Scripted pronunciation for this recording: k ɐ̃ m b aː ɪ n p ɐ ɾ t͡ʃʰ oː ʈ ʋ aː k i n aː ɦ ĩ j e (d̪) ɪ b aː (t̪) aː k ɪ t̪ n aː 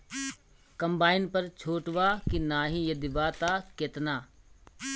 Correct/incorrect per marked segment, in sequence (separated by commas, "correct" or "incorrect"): correct, correct